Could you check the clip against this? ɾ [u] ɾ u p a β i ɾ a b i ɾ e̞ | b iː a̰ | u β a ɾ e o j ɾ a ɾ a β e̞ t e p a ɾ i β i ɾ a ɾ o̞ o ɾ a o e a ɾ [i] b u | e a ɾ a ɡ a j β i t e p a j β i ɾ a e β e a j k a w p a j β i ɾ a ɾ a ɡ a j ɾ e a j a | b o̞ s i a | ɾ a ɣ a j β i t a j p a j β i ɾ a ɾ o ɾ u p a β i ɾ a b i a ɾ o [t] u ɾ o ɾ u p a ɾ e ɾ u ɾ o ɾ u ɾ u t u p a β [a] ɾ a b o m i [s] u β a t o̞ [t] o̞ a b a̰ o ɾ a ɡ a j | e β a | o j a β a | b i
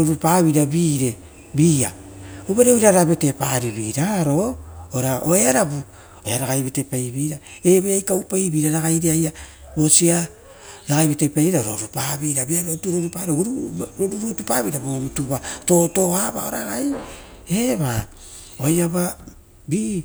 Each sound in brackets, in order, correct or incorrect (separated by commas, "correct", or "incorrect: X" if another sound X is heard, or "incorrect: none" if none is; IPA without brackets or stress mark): incorrect: o, incorrect: a, correct, incorrect: i, incorrect: t, correct